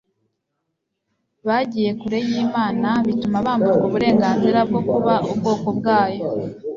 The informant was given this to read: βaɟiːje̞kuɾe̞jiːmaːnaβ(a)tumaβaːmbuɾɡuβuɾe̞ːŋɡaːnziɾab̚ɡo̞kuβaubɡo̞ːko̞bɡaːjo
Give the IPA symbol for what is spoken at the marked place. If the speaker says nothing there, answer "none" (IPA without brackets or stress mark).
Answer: i